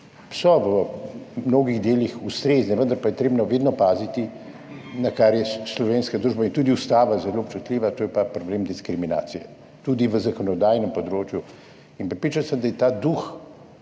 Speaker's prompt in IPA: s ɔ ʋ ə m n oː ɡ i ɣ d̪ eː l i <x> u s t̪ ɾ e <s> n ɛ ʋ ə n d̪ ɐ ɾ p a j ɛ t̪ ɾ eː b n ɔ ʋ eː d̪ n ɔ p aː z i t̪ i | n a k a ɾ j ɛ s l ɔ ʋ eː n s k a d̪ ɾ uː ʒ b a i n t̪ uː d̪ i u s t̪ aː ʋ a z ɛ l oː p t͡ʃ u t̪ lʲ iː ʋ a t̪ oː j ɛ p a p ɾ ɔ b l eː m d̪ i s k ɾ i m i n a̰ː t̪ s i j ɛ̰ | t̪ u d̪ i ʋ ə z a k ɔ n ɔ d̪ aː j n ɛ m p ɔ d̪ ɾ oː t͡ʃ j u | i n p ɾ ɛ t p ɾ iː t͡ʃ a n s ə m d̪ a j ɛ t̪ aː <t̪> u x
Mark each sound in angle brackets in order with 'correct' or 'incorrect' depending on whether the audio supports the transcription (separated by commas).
correct, incorrect, incorrect